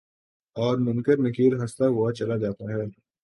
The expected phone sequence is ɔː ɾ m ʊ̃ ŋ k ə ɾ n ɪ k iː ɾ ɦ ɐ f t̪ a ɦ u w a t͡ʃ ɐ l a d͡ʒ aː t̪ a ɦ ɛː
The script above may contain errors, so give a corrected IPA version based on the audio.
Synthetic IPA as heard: ɔː ɾ m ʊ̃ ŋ k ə ɾ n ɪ k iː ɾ ɦ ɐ s t̪ a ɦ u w a t͡ʃ ɐ l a d͡ʒ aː t̪ a ɦ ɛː